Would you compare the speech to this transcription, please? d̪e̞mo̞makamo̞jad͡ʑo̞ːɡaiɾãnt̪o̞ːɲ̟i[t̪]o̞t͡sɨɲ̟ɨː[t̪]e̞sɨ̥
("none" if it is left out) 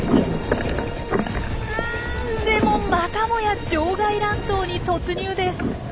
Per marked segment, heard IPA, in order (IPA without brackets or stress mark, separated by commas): t̪, d̪